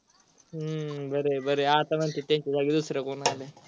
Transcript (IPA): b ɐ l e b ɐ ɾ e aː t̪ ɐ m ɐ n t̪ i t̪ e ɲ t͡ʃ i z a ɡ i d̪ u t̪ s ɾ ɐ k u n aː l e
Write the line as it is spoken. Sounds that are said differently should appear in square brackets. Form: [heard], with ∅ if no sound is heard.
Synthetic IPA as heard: b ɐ [ɾ] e b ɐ ɾ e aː t̪ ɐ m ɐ n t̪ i t̪ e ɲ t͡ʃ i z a ɡ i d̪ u [∅] s ɾ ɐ k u n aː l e